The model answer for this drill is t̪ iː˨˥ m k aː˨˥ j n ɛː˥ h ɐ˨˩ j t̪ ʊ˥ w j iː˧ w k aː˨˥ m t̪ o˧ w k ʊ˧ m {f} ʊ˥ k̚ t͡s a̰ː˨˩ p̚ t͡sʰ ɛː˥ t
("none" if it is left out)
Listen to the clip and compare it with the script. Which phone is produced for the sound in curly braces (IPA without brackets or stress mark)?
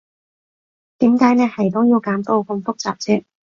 f